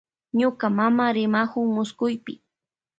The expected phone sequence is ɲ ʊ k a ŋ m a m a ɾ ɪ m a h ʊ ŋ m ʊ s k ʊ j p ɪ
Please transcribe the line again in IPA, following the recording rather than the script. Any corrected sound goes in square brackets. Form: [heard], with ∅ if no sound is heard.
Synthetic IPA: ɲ ʊ k a [∅] m a m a ɾ ɪ m a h ʊ ŋ m ʊ s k ʊ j p ɪ